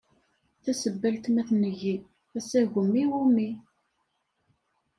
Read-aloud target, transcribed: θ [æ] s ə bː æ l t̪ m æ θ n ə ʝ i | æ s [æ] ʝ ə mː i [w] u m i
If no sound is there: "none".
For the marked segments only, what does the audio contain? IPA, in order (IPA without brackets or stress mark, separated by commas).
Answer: æ, æ, w